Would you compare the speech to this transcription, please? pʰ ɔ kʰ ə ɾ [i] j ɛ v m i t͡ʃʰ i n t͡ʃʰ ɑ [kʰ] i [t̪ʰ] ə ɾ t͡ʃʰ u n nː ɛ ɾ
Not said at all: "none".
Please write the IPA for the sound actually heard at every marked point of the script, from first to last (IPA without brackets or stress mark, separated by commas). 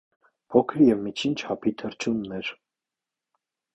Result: i, pʰ, t̪ʰ